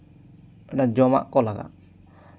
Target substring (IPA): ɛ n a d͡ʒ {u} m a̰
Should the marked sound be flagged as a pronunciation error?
yes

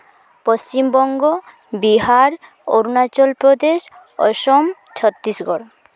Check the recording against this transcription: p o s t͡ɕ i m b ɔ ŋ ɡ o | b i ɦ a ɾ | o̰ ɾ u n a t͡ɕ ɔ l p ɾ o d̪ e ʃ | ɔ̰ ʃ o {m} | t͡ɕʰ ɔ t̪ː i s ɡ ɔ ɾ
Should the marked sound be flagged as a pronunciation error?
no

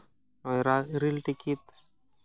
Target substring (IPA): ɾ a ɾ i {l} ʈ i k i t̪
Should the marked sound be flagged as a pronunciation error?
no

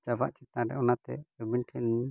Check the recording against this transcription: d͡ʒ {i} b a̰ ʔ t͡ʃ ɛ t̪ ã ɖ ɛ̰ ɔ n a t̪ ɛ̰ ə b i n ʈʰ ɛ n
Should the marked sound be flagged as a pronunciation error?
yes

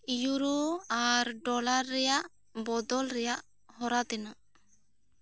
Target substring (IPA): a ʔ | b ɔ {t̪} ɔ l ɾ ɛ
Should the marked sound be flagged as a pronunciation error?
yes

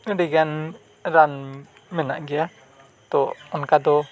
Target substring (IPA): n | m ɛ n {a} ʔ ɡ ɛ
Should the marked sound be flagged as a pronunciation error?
no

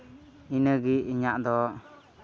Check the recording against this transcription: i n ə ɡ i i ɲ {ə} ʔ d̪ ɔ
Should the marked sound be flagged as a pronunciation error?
yes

